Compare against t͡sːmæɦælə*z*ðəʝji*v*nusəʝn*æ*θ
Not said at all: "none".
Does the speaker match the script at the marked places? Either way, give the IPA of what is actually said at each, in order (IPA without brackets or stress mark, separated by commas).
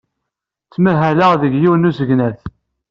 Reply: ʁ, w, æ